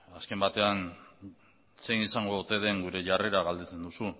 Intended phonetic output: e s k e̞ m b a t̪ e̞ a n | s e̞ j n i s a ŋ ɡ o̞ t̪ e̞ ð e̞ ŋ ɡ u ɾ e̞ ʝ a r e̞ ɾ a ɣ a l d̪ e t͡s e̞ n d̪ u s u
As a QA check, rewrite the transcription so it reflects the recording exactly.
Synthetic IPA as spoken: a s k e̞ m b a t̪ e̞ a n | s e̞ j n i s a ŋ ɡ o̞ t̪ e̞ ð e̞ ŋ ɡ u ɾ e̞ ʝ a r e̞ ɾ a ɣ a l d̪ e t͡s e̞ n d̪ u s u